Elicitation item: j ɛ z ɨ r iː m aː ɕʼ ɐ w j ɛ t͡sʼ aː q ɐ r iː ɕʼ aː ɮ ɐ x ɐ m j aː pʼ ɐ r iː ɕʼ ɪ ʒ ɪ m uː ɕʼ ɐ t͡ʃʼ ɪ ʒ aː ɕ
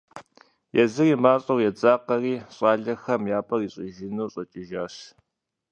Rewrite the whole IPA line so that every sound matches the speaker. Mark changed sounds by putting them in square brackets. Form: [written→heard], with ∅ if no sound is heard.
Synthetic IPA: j ɛ z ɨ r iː m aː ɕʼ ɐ w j ɛ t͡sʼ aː q ɐ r iː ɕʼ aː ɮ ɐ x ɐ m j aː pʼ ɐ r iː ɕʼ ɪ ʒ ɪ [m→n] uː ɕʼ ɐ t͡ʃʼ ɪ ʒ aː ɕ